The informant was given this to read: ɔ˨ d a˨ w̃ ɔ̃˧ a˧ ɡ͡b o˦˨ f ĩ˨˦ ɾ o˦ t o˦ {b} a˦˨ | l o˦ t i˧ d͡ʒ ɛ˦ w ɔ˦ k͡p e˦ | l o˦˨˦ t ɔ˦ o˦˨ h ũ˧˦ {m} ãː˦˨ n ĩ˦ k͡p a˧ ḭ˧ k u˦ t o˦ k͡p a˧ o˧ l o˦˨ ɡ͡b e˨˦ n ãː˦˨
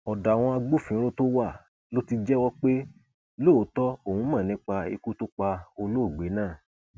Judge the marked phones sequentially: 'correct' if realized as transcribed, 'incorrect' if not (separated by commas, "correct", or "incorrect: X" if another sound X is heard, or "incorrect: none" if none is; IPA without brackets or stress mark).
incorrect: w, correct